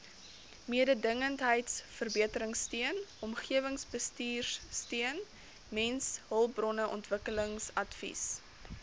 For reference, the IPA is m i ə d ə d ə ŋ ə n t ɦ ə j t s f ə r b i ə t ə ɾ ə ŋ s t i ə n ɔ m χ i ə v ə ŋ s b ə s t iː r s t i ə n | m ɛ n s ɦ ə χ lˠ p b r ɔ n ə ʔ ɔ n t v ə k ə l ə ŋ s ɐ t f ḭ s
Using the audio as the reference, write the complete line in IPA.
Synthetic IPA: m i ə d ə d ə ŋ ə n t ɦ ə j t s f ə r b i ə t ə ɾ ə ŋ s t i ə n ɔ m χ i ə v ə ŋ s b ə s t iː r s t i ə n | m ɛ n s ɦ ə lˠ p b r ɔ n ə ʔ ɔ n t v ə k ə l ə ŋ s ɐ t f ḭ s